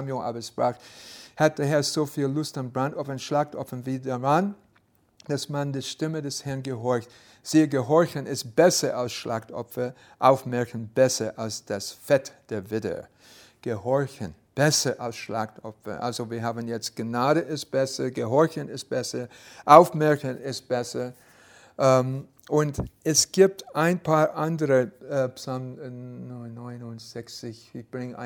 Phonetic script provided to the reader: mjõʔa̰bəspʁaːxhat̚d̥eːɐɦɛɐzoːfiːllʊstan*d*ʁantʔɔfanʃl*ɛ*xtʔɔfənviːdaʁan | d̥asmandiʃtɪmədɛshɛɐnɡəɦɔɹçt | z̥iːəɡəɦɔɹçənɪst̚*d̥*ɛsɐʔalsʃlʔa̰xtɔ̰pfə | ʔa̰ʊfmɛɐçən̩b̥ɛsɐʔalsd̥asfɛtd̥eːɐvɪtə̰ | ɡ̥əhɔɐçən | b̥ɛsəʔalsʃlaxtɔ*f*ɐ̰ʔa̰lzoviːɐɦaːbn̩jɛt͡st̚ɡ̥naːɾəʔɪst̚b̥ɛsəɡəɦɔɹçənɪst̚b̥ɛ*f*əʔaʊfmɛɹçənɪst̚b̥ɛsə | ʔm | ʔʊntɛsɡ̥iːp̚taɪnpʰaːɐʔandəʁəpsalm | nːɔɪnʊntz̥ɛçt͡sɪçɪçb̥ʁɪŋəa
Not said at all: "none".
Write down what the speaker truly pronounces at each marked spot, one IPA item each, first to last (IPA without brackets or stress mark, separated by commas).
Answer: b, a, b̥, f, s